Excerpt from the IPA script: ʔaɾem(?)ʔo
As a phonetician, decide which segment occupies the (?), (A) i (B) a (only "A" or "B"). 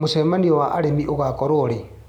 A